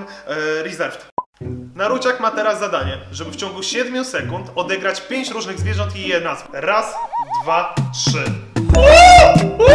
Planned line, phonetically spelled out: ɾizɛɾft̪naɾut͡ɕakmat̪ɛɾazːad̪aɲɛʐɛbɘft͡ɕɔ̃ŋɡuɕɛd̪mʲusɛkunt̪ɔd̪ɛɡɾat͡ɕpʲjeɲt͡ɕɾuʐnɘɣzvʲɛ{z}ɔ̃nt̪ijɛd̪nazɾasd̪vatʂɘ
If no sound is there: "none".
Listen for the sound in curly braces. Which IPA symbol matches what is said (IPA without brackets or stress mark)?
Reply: ʐ